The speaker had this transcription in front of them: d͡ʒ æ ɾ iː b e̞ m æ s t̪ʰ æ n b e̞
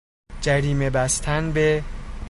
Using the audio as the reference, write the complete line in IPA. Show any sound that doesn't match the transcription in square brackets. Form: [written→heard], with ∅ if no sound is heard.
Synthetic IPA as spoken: d͡ʒ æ ɾ iː [b→m] e̞ [m→b] æ s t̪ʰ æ n b e̞

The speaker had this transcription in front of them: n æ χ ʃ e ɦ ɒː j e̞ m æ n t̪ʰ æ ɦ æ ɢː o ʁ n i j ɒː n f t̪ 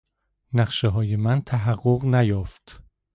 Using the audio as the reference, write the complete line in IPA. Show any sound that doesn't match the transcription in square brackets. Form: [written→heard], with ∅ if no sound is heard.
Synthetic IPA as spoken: n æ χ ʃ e ɦ ɒː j e̞ m æ n t̪ʰ æ ɦ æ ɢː o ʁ n [i→æ] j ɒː [n→∅] f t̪

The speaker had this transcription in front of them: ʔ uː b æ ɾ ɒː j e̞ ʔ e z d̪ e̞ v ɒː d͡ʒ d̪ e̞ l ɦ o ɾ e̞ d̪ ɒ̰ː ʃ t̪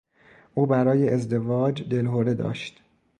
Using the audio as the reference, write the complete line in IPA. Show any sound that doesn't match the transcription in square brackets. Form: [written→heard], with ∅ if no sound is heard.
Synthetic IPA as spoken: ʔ uː b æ ɾ ɒː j e̞ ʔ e z d̪ e̞ v ɒː d͡ʒ d̪ e̞ l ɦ o ɾ e̞ d̪ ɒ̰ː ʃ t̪

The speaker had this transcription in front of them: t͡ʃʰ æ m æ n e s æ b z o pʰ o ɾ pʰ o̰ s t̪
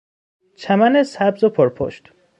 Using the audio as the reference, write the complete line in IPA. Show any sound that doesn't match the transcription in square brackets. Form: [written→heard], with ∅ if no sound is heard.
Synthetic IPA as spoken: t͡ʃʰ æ m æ n e s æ b z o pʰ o ɾ pʰ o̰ [s→ʃ] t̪

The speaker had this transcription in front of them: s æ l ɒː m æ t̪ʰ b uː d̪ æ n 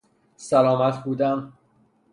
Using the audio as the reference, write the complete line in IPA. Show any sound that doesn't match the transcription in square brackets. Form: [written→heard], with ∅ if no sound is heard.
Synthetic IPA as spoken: s æ l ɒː m æ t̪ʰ b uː d̪ æ [n→m]

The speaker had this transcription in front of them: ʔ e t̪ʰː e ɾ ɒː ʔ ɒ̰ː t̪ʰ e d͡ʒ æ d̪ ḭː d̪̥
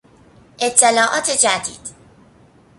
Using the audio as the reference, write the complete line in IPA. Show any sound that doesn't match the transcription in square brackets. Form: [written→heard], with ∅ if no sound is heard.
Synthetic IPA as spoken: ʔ e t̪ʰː e [ɾ→l] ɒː ʔ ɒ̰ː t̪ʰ e d͡ʒ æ d̪ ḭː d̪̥

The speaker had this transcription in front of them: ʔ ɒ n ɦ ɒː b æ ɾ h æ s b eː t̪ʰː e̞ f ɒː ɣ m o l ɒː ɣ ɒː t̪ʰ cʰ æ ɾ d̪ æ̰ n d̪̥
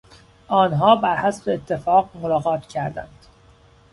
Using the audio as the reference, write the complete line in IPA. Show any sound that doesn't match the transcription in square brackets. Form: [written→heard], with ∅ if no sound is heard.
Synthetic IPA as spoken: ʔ [ɒ→ɒː] n ɦ ɒː b æ ɾ h æ s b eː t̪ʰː e̞ f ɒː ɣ m o l ɒː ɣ ɒː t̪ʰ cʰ æ ɾ d̪ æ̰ n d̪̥

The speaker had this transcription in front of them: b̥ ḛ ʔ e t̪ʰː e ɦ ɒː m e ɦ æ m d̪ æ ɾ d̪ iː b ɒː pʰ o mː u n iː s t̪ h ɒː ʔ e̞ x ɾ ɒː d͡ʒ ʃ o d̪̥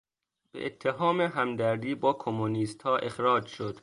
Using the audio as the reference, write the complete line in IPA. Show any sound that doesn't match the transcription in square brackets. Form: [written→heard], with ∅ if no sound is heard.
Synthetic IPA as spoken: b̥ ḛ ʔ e t̪ʰː e ɦ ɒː m e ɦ æ m d̪ æ ɾ d̪ iː b ɒː [pʰ→kʰ] o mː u n iː s t̪ h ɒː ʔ e̞ x ɾ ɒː d͡ʒ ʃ o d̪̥

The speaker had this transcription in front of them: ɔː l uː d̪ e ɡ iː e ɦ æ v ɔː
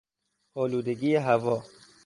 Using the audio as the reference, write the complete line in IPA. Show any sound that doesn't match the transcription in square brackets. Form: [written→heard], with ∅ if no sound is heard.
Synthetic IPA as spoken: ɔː l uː d̪ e ɡ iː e ɦ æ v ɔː

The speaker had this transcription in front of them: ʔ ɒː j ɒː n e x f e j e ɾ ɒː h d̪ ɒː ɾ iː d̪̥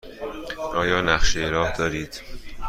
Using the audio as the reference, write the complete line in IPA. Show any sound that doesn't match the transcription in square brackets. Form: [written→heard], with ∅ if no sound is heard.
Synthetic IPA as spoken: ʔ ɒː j ɒː n [e→æ] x [f→ʃ] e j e ɾ ɒː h d̪ ɒː ɾ iː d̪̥

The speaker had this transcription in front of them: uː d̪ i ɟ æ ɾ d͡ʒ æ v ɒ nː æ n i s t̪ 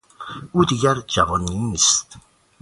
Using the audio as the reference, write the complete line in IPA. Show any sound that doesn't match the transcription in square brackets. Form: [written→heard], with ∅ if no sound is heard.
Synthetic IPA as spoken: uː d̪ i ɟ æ ɾ d͡ʒ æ v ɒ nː [æ→i] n i s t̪

